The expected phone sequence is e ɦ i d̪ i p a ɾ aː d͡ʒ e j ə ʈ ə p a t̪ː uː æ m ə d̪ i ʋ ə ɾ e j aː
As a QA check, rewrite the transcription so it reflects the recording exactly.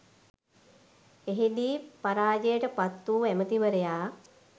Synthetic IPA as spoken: e ɦ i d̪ iː p a ɾ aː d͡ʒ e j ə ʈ ə p a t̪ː uː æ m ə t̪ i ʋ ə ɾ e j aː